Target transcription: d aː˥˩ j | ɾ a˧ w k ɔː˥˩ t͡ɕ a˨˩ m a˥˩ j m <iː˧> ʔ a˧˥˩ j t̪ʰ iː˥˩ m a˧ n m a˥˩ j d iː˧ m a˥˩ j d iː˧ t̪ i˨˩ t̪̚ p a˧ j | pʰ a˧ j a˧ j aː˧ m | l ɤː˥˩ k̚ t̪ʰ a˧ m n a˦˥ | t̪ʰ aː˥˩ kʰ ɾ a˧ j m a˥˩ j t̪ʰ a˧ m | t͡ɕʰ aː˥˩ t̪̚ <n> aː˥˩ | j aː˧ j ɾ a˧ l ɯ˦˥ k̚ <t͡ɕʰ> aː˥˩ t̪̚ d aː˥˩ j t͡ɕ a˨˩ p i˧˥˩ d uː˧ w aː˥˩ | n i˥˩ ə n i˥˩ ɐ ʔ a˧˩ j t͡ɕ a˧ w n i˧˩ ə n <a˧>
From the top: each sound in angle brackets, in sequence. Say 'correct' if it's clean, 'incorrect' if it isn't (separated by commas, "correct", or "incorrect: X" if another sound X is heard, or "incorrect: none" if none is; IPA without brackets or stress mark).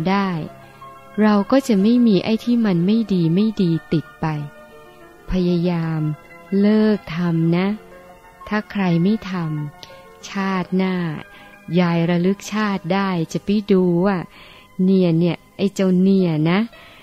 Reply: correct, correct, correct, incorrect: a˦˥